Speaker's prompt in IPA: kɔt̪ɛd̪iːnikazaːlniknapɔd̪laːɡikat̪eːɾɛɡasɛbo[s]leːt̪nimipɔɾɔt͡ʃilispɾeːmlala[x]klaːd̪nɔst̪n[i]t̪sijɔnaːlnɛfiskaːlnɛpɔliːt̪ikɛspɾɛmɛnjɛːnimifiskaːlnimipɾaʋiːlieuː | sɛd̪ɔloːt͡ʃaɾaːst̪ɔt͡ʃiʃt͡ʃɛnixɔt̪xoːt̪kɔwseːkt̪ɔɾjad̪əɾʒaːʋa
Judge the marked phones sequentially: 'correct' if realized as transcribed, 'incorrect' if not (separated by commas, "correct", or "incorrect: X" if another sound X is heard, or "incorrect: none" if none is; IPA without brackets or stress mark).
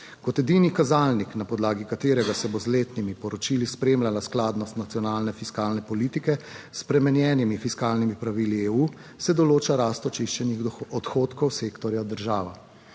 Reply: incorrect: z, incorrect: s, incorrect: a